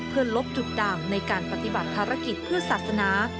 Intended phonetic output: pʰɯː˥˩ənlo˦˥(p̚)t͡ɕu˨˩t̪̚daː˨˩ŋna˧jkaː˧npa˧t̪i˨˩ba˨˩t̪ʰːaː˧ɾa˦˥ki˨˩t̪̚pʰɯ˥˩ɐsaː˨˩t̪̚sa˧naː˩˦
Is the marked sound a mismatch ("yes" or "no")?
no